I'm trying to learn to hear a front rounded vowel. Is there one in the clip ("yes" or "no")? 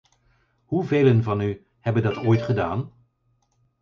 yes